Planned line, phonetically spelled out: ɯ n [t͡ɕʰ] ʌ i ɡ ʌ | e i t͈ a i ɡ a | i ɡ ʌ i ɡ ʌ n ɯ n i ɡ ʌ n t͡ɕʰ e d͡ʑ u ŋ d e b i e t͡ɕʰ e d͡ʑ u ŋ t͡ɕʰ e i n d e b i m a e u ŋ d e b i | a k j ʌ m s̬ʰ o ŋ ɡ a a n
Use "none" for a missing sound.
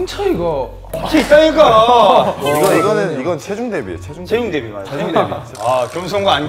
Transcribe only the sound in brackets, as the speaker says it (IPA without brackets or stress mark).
t͡ɕʰ